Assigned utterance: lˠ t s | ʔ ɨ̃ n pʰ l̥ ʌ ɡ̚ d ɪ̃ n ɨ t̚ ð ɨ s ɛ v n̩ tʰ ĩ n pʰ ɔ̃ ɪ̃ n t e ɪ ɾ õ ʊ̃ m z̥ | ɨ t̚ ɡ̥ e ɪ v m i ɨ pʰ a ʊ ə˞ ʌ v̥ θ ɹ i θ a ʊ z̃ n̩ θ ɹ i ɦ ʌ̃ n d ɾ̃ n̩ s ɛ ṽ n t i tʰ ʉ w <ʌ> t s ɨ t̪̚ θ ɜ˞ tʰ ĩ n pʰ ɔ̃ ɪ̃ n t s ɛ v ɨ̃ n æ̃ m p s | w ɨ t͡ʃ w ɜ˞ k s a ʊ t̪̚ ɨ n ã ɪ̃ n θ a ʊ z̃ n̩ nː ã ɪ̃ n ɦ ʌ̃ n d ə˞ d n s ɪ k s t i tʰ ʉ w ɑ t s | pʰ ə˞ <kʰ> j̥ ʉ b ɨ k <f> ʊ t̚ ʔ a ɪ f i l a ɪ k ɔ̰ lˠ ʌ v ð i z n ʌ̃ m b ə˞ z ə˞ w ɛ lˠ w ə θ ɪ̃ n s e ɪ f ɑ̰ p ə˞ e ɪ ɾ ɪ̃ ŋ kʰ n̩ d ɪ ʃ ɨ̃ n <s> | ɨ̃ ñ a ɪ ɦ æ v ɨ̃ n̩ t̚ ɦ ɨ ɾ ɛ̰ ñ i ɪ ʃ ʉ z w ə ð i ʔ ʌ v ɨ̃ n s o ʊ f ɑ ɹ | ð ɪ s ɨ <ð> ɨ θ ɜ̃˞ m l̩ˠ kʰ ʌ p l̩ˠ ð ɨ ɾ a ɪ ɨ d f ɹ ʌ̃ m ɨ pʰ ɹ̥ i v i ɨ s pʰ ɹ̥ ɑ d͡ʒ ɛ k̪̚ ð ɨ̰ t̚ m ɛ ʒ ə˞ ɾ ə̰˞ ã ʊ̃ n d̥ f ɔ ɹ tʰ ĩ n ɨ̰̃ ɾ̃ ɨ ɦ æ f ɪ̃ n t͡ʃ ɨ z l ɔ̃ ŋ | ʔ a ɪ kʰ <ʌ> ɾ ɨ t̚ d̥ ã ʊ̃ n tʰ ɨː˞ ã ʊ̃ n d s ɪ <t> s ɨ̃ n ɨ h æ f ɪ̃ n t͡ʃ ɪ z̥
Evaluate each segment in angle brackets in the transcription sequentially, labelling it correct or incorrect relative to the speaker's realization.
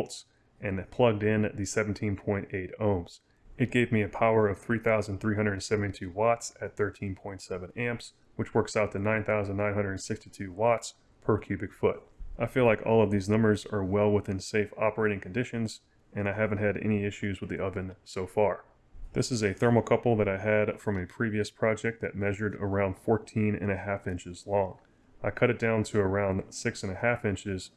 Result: incorrect: ɑ, correct, correct, incorrect: z, incorrect: z, correct, incorrect: k

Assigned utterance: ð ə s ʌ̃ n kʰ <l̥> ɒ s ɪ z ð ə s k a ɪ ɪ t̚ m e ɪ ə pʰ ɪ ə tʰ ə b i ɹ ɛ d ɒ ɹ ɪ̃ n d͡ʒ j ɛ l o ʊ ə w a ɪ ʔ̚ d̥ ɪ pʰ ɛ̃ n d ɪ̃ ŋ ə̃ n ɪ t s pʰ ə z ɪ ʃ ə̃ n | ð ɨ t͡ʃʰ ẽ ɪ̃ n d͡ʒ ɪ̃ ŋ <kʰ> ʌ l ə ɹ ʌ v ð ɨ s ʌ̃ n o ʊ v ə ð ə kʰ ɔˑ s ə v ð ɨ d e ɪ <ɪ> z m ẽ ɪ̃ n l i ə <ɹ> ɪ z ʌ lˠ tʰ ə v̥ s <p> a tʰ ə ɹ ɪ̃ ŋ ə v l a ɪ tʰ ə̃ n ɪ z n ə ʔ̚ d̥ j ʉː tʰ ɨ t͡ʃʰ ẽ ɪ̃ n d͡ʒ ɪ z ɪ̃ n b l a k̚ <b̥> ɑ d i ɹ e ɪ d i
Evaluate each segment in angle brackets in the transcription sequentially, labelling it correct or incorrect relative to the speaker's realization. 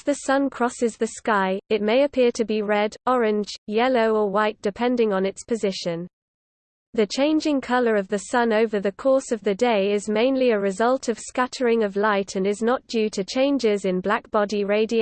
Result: incorrect: ɹ̥, correct, correct, correct, incorrect: k, correct

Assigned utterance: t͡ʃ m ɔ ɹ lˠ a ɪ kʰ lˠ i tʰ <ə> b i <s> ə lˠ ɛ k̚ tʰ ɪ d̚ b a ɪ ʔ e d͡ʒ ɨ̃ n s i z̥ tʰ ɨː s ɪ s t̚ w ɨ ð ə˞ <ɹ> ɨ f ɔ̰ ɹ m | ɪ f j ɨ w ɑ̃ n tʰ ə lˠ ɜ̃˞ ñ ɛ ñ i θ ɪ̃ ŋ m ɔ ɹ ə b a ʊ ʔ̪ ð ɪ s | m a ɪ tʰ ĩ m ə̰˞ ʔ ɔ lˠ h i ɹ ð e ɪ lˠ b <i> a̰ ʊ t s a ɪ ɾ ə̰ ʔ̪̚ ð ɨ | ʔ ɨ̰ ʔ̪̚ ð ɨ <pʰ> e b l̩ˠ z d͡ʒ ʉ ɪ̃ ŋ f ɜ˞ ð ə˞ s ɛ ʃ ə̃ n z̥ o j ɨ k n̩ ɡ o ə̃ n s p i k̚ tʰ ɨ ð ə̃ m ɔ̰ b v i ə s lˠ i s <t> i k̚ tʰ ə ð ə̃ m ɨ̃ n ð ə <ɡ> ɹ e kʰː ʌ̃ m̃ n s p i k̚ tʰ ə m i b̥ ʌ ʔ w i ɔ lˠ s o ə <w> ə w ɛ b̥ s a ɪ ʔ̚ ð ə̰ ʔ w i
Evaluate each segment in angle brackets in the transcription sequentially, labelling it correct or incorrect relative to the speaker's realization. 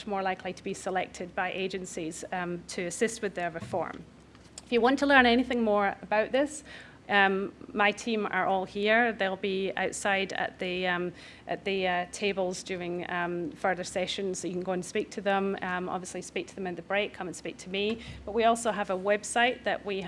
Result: correct, correct, correct, correct, incorrect: tʰ, incorrect: p, incorrect: b, incorrect: v

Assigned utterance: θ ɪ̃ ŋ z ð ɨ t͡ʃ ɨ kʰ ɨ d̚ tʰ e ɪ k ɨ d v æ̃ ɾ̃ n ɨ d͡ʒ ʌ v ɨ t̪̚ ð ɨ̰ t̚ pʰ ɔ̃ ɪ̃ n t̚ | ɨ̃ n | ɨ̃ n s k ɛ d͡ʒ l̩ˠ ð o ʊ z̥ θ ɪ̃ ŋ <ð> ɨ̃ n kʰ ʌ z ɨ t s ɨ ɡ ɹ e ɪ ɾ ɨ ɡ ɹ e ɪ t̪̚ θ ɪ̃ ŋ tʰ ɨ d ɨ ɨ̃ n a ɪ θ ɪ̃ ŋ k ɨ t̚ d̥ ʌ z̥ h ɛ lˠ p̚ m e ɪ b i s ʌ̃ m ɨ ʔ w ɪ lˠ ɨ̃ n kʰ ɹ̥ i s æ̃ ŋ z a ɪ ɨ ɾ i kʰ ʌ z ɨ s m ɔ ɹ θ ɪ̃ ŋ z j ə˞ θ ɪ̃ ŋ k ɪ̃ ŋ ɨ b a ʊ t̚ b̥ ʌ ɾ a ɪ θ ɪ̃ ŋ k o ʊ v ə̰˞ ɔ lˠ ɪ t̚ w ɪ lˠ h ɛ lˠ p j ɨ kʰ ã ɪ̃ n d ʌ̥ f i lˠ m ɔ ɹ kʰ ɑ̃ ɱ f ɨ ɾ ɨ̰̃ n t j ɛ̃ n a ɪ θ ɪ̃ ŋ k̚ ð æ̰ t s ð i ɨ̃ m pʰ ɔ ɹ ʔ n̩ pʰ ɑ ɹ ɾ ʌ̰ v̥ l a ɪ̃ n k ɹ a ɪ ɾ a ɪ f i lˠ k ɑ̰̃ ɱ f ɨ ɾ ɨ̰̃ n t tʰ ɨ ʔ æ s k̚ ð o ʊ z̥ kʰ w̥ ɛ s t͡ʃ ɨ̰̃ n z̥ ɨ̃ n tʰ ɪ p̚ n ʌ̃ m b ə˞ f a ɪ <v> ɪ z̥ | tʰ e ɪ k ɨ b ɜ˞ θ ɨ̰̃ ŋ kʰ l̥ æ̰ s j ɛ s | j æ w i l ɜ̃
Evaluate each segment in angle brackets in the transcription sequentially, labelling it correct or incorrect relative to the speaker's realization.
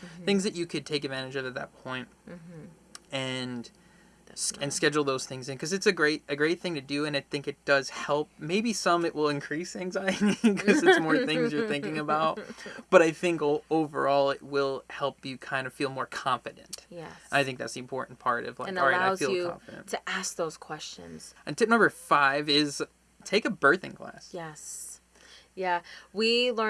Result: incorrect: z, correct

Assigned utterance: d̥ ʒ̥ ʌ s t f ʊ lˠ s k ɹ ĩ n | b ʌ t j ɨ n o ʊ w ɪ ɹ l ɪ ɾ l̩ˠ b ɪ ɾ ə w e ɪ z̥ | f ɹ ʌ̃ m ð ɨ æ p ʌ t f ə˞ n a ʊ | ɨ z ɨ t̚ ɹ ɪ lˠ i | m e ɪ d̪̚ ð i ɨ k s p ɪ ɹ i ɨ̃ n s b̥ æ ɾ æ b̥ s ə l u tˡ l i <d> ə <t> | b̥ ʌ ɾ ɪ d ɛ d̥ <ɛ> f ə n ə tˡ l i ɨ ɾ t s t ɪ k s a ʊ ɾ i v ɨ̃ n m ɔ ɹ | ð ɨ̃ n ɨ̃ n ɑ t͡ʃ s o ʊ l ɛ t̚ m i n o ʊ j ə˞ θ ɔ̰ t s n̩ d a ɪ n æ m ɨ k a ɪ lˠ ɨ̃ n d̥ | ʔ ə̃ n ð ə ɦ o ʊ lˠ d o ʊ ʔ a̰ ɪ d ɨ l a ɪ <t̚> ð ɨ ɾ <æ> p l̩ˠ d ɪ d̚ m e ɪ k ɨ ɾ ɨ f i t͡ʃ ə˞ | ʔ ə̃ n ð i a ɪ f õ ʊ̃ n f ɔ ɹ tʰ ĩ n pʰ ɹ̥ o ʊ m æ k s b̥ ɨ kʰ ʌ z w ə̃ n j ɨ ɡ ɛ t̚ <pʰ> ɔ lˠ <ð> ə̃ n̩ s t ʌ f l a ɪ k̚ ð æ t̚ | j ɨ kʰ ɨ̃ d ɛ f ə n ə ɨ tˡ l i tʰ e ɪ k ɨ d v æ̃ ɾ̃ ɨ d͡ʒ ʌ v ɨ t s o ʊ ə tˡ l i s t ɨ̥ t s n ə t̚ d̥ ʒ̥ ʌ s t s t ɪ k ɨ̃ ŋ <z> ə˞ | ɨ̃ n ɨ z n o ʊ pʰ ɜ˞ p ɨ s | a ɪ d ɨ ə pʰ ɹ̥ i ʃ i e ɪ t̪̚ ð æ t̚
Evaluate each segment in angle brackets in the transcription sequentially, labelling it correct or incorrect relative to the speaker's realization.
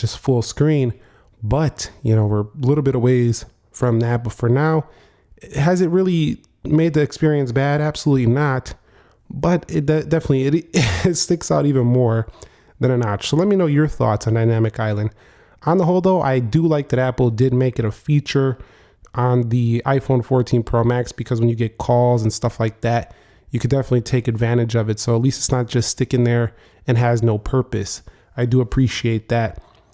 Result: incorrect: n, correct, correct, incorrect: k̚, correct, incorrect: kʰ, incorrect: z, incorrect: ð

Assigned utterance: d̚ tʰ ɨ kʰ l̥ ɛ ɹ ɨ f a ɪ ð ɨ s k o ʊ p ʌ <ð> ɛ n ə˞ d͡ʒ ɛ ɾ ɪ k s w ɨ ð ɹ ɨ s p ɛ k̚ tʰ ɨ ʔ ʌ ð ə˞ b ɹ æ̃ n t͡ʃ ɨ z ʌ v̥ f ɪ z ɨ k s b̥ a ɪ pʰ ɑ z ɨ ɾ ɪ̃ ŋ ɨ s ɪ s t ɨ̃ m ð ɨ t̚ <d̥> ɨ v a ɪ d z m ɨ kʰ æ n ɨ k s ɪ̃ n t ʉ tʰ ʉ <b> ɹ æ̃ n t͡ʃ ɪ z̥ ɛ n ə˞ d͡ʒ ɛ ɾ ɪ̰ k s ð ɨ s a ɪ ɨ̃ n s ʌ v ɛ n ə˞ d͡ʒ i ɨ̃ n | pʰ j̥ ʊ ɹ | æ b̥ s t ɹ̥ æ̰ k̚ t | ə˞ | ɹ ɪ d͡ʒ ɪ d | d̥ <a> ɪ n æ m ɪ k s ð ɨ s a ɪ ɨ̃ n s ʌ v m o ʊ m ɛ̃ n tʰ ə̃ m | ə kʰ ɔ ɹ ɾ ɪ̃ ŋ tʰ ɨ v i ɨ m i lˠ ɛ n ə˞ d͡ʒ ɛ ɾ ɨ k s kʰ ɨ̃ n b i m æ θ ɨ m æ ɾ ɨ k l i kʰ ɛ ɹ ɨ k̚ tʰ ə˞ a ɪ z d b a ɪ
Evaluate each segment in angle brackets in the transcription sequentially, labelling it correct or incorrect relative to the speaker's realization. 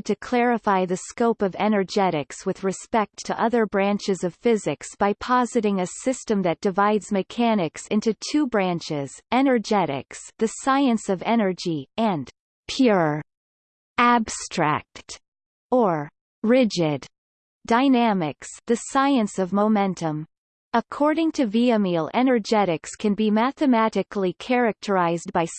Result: incorrect: v, correct, correct, correct

